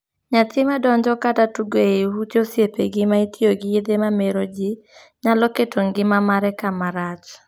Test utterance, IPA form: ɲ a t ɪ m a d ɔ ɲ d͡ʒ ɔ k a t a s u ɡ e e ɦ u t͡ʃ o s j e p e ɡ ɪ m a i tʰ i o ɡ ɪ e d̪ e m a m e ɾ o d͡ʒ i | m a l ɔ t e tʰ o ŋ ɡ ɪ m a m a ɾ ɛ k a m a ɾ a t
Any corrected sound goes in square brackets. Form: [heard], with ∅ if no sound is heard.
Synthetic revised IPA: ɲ a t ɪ m a d ɔ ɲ d͡ʒ ɔ k a t a [t] u ɡ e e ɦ u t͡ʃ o s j e p e ɡ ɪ m a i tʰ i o ɡ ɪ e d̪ e m a m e ɾ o d͡ʒ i | [ɲ] a l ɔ [k] e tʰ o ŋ ɡ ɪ m a m a ɾ ɛ k a m a ɾ a [t͡ʃ]